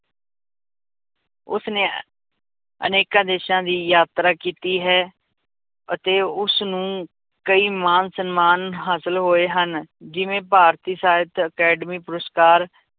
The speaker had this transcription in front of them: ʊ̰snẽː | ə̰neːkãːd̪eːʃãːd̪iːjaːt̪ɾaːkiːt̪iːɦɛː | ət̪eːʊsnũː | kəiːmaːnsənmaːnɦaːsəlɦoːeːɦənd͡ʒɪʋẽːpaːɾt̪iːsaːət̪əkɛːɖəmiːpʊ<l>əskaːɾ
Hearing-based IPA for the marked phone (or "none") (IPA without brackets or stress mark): ɾ